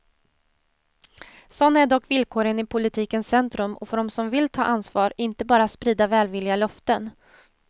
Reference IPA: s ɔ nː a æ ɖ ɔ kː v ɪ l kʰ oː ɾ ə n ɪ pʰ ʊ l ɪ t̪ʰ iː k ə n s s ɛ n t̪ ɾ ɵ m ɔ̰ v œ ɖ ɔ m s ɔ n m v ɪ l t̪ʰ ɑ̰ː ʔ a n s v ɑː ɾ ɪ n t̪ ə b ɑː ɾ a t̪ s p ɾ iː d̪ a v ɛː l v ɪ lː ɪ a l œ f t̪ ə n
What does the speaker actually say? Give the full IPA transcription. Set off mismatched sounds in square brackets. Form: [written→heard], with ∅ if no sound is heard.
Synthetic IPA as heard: s ɔ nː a æ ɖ ɔ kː v ɪ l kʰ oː ɾ ə n ɪ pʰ ʊ l ɪ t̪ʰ iː k ə n s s ɛ n t̪ ɾ ɵ m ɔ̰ [v→f] œ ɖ ɔ m s ɔ [n→∅] m v ɪ l t̪ʰ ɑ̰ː ʔ a n s v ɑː ɾ ɪ n t̪ ə b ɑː ɾ a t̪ s p ɾ iː d̪ a v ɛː l v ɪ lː ɪ a l œ f t̪ ə n